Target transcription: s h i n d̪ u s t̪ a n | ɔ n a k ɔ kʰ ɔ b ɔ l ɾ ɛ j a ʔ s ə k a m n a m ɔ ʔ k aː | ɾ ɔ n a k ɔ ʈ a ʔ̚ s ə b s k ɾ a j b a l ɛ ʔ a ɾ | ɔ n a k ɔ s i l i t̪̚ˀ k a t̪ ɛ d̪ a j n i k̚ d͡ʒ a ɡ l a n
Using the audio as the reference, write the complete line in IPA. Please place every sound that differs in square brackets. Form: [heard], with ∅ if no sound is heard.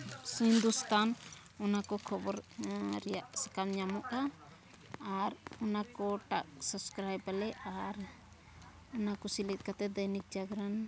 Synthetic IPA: s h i n d̪ u s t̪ a n | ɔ n a k ɔ kʰ ɔ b ɔ [ɾ] ɾ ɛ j a ʔ s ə k a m [ɲ] a m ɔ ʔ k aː | ɾ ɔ n a k ɔ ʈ a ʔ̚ s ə b s k ɾ a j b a l ɛ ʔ a ɾ | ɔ n a k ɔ s i l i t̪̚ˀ k a t̪ ɛ d̪ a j n i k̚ d͡ʒ a ɡ [ɾ] a n

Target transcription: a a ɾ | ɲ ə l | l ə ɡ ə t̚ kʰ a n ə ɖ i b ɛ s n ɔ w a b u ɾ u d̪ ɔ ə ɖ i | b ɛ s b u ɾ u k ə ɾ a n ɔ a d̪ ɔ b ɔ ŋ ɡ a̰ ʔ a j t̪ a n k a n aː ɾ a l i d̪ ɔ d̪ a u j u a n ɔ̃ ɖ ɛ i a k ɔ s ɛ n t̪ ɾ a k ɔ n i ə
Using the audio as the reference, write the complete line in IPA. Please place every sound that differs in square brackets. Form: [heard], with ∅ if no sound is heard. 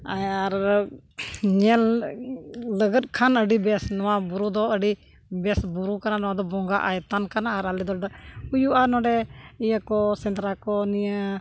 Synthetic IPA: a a ɾ | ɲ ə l | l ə ɡ ə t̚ kʰ a n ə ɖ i b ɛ s n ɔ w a b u ɾ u d̪ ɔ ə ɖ i | b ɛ s b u ɾ u k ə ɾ a n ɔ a d̪ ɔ b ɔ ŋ ɡ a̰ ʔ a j t̪ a n k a n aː ɾ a l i d̪ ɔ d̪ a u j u a n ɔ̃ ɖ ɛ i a k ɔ s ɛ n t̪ ɾ a k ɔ n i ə

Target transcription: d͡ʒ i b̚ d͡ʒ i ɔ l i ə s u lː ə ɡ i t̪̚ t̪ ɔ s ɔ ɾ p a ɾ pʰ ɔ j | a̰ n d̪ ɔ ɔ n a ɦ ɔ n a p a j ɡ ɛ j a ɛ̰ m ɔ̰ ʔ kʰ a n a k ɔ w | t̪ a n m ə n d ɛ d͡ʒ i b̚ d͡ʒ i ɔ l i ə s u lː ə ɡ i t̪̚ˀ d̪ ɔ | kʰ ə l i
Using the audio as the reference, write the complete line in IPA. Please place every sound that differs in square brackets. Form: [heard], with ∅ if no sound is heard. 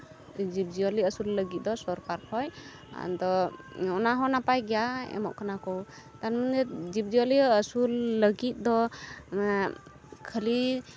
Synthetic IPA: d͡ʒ i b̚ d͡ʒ i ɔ l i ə s u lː ə ɡ i t̪̚ [d̪] ɔ s ɔ ɾ [k] a ɾ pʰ ɔ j | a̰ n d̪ ɔ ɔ n a ɦ ɔ n a p a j ɡ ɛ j a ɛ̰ m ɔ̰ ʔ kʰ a n a k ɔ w | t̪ a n m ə n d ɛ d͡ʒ i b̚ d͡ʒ i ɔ l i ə s u lː ə ɡ i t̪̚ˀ d̪ ɔ | kʰ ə l i

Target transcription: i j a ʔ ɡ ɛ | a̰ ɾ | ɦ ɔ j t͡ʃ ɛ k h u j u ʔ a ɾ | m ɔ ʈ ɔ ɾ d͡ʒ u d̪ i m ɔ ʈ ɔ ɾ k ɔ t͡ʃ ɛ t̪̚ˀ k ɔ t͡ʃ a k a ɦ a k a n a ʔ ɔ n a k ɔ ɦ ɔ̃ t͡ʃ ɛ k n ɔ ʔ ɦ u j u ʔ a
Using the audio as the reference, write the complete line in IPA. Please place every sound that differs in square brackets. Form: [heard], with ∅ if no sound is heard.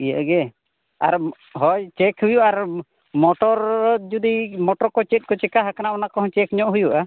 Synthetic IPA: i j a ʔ ɡ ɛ | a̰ ɾ | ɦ ɔ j t͡ʃ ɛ k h u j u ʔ a ɾ | m ɔ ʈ ɔ ɾ d͡ʒ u d̪ i m ɔ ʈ ɔ ɾ k ɔ t͡ʃ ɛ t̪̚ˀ k ɔ t͡ʃ [ɛ] k a ɦ a k a n a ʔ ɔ n a k ɔ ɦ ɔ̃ t͡ʃ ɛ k [ɲ] ɔ ʔ ɦ u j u ʔ a

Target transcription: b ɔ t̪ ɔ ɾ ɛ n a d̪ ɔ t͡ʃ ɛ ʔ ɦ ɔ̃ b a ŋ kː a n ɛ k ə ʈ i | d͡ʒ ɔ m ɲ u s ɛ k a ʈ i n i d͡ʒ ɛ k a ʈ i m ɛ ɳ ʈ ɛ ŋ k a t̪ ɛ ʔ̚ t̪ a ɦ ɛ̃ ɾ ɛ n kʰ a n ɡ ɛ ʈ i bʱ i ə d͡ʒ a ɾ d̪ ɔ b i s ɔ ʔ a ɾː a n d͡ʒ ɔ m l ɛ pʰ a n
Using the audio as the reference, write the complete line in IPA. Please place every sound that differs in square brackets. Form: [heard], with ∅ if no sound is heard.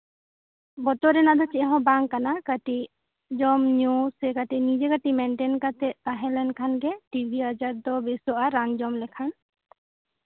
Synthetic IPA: b ɔ t̪ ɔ ɾ ɛ n a d̪ ɔ t͡ʃ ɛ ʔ ɦ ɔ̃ b a ŋ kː a n [a] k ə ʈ i | d͡ʒ ɔ m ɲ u s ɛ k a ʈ i n i d͡ʒ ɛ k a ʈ i m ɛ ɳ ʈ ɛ [n] k a t̪ ɛ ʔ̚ t̪ a ɦ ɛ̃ [l] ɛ n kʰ a n ɡ ɛ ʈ i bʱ i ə d͡ʒ a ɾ d̪ ɔ b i s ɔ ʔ a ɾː a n d͡ʒ ɔ m l ɛ [kʰ] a n

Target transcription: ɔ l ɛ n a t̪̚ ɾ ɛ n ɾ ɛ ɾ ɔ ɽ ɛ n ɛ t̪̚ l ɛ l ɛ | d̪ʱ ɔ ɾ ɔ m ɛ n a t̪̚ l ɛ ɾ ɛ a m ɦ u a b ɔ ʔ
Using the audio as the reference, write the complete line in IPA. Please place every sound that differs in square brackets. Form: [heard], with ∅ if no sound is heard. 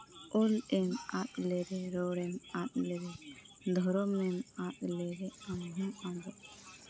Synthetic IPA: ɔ l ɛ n a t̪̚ [l] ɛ [∅] ɾ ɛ ɾ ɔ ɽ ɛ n [a] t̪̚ l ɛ [ɾ] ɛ | d̪ʱ ɔ ɾ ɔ m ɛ n a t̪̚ l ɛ ɾ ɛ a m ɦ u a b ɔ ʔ

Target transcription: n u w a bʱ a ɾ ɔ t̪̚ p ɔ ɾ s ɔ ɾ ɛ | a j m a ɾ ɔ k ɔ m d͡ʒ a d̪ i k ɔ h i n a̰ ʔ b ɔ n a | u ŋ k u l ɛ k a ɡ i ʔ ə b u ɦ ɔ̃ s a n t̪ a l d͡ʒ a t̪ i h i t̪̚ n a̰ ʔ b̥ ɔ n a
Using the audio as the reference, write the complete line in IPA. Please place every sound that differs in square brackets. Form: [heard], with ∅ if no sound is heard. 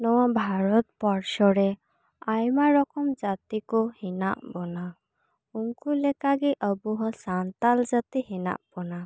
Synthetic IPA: n [ɔ] w a bʱ a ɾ ɔ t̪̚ p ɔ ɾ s ɔ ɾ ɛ | a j m a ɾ ɔ k ɔ m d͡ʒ a [t̪] i k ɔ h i n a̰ ʔ b ɔ n a | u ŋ k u l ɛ k a ɡ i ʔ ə b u ɦ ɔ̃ s a n t̪ a l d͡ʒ a t̪ i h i [∅] n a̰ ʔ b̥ ɔ n a

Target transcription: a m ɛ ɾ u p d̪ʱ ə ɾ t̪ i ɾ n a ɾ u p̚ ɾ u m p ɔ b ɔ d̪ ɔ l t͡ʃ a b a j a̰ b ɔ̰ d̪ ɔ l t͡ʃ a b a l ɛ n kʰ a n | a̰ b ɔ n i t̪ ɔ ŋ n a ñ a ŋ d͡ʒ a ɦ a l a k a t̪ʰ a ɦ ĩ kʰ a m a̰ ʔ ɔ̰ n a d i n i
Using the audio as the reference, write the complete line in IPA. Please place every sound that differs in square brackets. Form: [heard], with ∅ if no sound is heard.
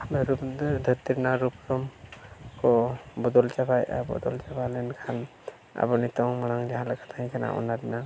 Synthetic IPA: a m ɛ ɾ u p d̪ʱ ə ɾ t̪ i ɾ n a ɾ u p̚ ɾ [ɔ] m [k] ɔ b ɔ d̪ ɔ l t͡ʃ a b a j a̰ b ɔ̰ d̪ ɔ l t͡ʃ a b a l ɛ n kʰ a n | a̰ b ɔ n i t̪ ɔ ŋ [m] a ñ a ŋ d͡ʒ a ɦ a l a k a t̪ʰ a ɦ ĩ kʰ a [n] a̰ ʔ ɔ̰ n a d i n [a]

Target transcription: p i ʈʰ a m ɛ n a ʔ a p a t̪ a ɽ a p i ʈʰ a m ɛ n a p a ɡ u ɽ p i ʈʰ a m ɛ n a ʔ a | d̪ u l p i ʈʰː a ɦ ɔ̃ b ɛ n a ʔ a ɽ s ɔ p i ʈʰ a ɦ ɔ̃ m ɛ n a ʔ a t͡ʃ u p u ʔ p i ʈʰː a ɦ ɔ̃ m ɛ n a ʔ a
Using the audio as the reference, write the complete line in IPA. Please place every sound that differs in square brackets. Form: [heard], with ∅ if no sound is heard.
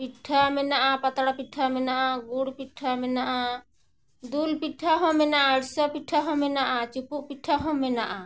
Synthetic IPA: p i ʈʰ a m ɛ n a ʔ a p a t̪ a ɽ a p i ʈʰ a m ɛ n a [ʔ] a ɡ u ɽ p i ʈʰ a m ɛ n a ʔ a | d̪ u l p i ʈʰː a ɦ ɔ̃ [m] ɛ n a ʔ a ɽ s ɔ p i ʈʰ a ɦ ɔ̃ m ɛ n a ʔ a t͡ʃ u p u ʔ p i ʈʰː a ɦ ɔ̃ m ɛ n a ʔ a

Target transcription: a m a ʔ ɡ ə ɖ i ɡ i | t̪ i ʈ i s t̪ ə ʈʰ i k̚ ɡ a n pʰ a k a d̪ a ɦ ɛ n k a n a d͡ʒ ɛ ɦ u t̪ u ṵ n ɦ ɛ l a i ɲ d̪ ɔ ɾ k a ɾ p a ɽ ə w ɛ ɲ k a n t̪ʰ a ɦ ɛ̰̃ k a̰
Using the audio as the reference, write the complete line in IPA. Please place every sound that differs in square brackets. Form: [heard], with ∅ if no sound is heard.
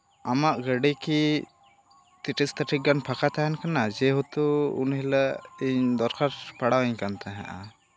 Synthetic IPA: a m a ʔ ɡ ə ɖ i [k] i | t̪ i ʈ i s t̪ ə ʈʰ i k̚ ɡ a n pʰ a k a [t̪] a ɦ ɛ n k a n a d͡ʒ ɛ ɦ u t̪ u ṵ n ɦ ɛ l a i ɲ d̪ ɔ ɾ k a ɾ p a ɽ [a] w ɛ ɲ k a n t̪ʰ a ɦ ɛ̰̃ [ʔ] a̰

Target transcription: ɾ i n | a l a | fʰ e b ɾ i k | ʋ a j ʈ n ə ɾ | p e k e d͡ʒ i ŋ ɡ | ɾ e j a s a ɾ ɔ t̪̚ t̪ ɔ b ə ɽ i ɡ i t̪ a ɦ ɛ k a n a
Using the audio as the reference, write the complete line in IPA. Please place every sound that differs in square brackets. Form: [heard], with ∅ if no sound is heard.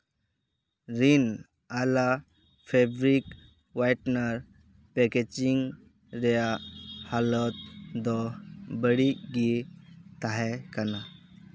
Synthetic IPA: ɾ i n | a l a | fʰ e b ɾ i k | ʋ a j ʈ n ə ɾ | p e k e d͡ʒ i ŋ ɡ | ɾ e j a [h] a [l] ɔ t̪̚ [d̪] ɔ b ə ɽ i ɡ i t̪ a ɦ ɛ k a n a

